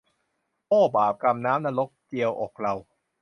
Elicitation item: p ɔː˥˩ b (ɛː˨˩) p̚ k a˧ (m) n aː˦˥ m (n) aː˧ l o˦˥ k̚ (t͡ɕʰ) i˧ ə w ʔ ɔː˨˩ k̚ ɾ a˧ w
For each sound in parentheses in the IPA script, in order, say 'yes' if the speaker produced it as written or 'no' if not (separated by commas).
no, yes, yes, no